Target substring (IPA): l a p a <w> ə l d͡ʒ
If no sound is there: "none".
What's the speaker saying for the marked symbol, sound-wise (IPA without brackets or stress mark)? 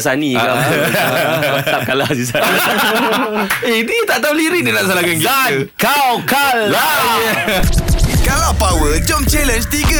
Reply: w